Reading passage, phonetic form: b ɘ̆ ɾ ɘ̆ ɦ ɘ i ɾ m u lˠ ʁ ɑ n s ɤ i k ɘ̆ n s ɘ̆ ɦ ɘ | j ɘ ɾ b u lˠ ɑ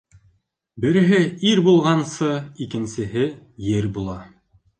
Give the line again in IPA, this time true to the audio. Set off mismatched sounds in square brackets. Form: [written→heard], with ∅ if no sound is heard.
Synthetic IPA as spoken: b ɘ̆ ɾ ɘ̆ ɦ ɘ i ɾ [m→b] u lˠ ʁ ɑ n s ɤ i k ɘ̆ n s ɘ̆ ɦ ɘ | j ɘ ɾ b u lˠ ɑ

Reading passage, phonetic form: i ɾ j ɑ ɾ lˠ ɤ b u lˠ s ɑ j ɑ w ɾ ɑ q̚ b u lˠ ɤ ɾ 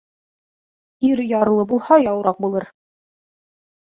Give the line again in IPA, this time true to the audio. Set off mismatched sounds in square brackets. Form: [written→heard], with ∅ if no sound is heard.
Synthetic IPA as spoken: i ɾ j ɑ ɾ lˠ ɤ b u lˠ [s→h] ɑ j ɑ w ɾ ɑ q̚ b u lˠ ɤ ɾ

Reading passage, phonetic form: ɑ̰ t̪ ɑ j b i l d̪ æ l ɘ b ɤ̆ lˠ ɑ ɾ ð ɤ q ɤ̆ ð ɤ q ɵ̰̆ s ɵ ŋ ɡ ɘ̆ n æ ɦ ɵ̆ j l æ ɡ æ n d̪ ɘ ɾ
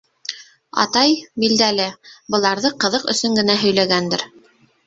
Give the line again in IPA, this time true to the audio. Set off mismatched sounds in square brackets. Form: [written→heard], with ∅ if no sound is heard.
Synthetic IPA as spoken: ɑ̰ t̪ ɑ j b i l d̪ æ l ɘ b ɤ̆ lˠ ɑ ɾ ð ɤ q ɤ̆ ð ɤ q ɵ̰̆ s ɵ ŋ ɡ ɘ̆ n æ ɦ ɵ̆ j l æ ɡ æ n d̪ ɘ ɾ

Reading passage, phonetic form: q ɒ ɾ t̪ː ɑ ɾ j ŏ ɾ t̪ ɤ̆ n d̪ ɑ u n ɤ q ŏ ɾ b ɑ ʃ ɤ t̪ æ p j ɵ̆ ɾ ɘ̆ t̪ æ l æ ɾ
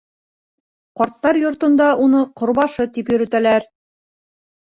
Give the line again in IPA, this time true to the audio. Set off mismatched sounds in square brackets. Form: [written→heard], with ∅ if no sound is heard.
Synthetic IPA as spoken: q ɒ ɾ t̪ː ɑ ɾ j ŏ ɾ t̪ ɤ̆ n d̪ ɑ u n ɤ q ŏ ɾ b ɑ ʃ ɤ t̪ [æ→i] p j ɵ̆ ɾ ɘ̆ t̪ æ l æ ɾ

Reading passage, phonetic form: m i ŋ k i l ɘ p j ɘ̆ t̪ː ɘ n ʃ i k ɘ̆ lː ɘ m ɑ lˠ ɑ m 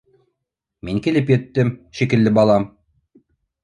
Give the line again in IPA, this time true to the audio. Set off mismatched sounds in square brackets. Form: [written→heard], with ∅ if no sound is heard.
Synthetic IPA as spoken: m i ŋ k i l ɘ p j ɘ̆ t̪ː ɘ [n→m] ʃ i k ɘ̆ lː ɘ [m→b] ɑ lˠ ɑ m

